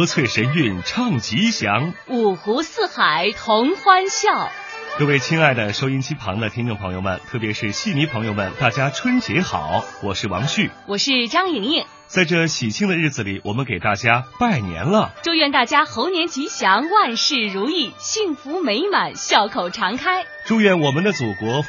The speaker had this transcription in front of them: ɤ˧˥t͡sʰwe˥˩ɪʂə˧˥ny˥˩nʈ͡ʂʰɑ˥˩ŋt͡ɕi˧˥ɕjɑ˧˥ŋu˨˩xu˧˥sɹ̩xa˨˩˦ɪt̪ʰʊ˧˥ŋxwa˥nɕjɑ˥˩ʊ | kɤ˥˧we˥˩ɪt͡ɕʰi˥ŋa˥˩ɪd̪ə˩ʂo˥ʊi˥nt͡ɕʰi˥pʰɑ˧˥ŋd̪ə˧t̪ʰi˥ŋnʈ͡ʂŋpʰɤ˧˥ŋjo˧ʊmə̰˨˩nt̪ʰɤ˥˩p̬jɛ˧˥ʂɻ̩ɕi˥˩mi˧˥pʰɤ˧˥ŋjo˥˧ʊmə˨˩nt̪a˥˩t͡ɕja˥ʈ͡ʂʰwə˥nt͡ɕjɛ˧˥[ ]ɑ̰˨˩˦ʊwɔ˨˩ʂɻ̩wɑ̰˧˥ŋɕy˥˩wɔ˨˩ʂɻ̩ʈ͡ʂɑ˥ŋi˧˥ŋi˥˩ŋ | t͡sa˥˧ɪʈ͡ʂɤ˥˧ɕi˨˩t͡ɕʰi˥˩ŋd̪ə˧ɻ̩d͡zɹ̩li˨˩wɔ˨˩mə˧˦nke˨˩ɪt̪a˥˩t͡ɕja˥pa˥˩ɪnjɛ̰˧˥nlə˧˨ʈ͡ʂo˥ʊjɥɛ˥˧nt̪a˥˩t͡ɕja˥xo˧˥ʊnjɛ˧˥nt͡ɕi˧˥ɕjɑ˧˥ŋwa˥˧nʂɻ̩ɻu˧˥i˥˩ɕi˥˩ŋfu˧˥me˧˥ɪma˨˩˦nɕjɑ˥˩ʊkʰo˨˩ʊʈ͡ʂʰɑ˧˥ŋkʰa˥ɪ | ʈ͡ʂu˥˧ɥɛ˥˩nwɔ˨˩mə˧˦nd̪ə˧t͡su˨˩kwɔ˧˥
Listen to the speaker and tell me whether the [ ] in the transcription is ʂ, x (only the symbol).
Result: x